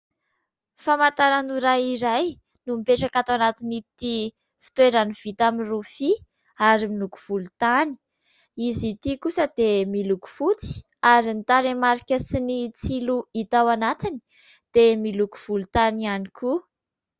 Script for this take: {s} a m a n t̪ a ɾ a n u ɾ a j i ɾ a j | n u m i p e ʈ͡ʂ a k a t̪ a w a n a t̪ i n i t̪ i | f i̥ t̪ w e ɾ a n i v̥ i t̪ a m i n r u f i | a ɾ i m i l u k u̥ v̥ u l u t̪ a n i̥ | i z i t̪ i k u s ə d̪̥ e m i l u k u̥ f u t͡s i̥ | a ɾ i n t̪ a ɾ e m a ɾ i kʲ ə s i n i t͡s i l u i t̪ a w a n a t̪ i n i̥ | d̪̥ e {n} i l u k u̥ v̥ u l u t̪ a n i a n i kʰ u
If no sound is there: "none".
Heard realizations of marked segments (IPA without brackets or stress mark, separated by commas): f, m